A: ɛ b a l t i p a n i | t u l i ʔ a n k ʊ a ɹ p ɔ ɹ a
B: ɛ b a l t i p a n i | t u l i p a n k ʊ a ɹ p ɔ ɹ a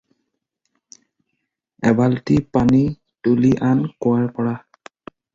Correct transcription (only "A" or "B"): A